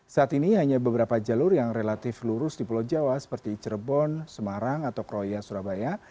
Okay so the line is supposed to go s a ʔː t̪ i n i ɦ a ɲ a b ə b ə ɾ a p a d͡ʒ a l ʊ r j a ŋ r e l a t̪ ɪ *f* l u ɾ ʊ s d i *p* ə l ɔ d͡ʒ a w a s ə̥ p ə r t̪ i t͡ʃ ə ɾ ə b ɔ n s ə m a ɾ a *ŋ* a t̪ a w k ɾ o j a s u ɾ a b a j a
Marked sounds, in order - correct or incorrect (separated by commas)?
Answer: correct, correct, correct